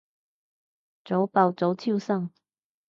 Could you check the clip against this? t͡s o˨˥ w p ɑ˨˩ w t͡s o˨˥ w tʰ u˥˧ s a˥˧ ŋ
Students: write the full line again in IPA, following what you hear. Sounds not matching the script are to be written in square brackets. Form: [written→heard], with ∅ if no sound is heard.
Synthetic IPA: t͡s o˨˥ w p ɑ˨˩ w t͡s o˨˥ w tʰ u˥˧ s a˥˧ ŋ